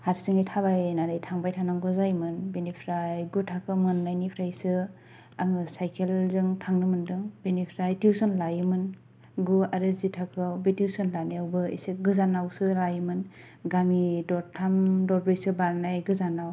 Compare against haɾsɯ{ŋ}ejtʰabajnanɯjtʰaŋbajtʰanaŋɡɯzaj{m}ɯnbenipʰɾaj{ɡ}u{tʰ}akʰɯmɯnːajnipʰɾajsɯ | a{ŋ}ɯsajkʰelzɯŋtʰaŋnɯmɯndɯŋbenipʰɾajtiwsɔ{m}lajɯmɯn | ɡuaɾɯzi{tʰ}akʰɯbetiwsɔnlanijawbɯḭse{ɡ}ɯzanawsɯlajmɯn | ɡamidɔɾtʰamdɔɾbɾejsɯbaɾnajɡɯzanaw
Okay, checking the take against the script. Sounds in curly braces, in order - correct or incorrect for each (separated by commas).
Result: correct, correct, correct, correct, correct, incorrect, correct, correct